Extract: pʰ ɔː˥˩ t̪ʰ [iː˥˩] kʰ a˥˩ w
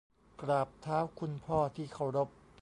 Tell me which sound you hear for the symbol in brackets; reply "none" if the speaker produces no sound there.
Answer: iː˥˩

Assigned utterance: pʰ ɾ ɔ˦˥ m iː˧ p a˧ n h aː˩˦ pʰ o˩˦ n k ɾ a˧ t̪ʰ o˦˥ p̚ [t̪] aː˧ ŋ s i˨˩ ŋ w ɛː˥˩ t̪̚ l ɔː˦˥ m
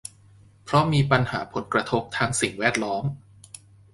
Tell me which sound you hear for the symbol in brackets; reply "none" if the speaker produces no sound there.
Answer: t̪ʰ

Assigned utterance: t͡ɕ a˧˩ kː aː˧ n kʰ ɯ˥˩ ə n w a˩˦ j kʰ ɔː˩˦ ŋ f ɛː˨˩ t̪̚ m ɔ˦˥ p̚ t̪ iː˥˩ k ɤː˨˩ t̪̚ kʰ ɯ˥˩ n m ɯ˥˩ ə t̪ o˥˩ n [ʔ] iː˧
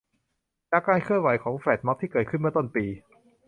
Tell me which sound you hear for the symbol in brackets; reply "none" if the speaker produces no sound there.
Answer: p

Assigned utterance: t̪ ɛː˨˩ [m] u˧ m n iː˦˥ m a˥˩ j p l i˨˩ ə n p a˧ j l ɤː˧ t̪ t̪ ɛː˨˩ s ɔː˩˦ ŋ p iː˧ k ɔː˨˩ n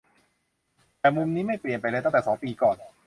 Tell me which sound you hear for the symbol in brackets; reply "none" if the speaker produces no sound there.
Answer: m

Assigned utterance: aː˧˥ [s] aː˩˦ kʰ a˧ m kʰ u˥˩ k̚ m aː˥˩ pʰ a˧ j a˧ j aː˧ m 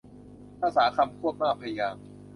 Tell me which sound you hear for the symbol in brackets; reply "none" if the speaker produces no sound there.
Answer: s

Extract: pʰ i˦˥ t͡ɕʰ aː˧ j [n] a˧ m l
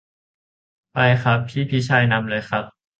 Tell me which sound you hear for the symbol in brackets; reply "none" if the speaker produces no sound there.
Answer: n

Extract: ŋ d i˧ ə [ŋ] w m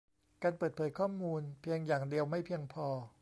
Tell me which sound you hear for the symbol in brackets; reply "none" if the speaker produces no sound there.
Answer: none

